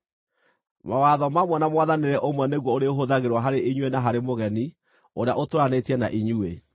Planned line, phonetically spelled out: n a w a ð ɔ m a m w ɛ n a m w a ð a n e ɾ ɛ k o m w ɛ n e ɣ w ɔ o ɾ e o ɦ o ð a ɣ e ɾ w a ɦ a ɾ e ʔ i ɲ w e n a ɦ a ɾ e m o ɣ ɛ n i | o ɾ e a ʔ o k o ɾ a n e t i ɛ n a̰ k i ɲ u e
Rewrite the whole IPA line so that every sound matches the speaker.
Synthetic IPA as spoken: m a w a ð ɔ m a m w ɛ n a m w a ð a n e ɾ ɛ ʔ o m w ɛ n e ɣ w ɔ o ɾ e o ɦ o ð a ɣ e ɾ w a ɦ a ɾ e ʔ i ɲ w e n a ɦ a ɾ e m o ɣ ɛ n i | o ɾ e a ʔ o t o ɾ a n e t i ɛ n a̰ ʔ i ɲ u e